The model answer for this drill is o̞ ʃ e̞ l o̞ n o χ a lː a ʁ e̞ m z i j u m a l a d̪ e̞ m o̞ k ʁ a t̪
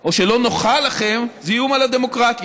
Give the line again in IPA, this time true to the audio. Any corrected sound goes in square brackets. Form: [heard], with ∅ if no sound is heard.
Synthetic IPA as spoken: o̞ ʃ e̞ l o̞ n o χ a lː a [χ] e̞ m z i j u m a l a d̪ e̞ m o̞ k ʁ a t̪